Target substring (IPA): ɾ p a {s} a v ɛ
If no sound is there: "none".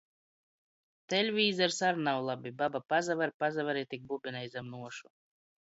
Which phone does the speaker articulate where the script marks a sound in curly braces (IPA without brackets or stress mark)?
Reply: z